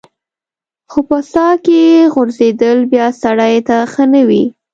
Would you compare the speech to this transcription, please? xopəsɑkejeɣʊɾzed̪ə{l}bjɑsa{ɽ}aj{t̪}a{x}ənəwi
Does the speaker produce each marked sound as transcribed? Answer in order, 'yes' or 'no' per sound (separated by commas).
yes, yes, yes, yes